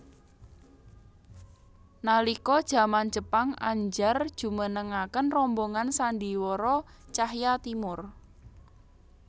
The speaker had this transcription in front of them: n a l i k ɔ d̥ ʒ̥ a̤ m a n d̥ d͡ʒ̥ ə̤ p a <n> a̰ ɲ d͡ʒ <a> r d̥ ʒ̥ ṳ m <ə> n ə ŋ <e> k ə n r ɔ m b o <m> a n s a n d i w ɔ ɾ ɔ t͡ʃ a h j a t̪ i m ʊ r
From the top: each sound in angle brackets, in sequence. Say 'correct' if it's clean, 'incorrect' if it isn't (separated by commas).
incorrect, correct, correct, incorrect, incorrect